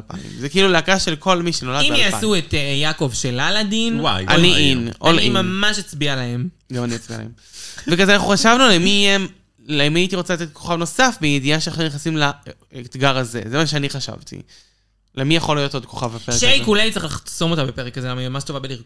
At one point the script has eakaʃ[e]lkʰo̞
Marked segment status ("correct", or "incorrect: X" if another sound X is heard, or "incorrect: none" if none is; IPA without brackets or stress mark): correct